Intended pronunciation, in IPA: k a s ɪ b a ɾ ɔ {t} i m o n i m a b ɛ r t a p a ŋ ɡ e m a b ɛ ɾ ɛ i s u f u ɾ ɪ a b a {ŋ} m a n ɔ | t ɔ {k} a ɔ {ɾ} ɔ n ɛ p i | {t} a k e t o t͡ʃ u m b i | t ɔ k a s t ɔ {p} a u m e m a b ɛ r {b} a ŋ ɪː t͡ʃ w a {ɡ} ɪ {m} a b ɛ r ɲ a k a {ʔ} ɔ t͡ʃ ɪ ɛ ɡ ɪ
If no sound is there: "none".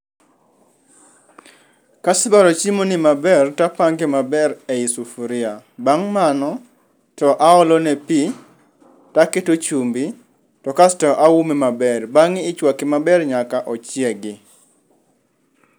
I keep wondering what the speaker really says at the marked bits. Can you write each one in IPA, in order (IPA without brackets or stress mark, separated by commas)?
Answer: t͡ʃ, ŋ, ʔ, l, t, ʔ, b, k, m, ʔ